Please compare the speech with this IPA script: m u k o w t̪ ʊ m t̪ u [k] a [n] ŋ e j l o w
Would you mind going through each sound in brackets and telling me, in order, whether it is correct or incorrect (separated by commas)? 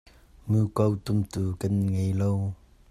correct, correct